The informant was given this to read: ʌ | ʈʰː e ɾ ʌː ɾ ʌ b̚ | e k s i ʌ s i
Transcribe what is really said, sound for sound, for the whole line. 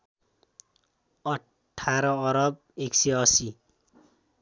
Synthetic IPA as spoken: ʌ | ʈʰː a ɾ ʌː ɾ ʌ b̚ | e k s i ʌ s i